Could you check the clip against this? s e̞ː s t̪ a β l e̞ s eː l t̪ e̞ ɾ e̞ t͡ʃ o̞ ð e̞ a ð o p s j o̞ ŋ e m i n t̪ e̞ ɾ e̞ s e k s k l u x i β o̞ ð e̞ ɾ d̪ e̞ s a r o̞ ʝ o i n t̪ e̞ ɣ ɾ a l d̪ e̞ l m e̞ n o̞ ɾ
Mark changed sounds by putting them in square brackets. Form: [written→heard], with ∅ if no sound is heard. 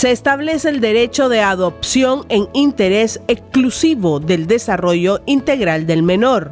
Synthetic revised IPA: s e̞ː s t̪ a β l e̞ s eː l [t̪→d̪] e̞ ɾ e̞ t͡ʃ o̞ ð e̞ a ð o p s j o̞ ŋ e [m→ŋ] i n t̪ e̞ ɾ e̞ s e k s k l u [x→s] i β o̞ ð e̞ [ɾ→l] d̪ e̞ s a r o̞ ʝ o i n t̪ e̞ ɣ ɾ a l d̪ e̞ l m e̞ n o̞ ɾ